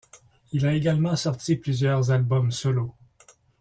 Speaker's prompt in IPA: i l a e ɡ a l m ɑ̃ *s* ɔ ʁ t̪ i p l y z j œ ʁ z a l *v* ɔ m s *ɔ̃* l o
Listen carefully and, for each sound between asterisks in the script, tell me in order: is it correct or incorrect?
correct, incorrect: b, incorrect: ɔ

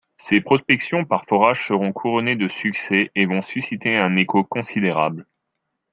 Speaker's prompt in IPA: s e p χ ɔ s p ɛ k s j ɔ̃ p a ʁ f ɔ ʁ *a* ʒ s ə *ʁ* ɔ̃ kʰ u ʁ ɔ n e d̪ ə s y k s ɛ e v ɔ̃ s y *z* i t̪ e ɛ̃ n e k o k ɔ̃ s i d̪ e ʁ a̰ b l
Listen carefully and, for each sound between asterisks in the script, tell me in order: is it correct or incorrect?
correct, correct, incorrect: s

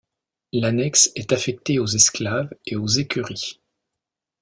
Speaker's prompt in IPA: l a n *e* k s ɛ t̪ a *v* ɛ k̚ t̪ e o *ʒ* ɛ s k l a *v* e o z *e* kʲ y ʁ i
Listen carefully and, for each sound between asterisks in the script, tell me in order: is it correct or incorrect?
incorrect: ɛ, incorrect: f, incorrect: z, correct, correct

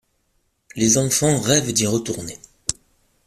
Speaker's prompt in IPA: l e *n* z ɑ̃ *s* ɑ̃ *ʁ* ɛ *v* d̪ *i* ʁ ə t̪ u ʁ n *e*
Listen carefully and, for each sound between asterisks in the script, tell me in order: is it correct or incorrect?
incorrect: none, incorrect: f, correct, correct, correct, correct

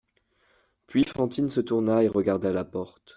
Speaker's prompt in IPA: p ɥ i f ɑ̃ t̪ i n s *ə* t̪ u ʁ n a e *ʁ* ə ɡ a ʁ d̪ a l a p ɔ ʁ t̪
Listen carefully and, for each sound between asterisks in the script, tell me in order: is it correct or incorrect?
correct, correct

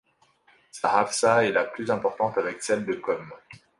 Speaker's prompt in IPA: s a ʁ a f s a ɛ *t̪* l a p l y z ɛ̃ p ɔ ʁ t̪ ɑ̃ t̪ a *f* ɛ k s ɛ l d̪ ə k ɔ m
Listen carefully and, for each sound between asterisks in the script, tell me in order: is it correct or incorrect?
incorrect: none, incorrect: v

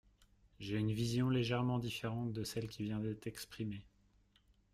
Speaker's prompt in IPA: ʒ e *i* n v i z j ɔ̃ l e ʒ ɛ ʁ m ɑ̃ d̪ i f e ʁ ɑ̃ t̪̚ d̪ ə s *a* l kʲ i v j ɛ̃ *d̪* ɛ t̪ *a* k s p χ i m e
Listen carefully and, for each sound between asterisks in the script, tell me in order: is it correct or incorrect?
incorrect: y, incorrect: ɛ, correct, incorrect: ɛ

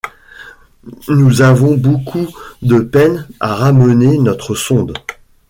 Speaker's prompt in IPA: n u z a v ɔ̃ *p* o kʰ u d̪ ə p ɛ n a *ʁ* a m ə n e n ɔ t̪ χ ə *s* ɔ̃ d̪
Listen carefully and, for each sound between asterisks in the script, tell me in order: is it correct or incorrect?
incorrect: b, correct, correct

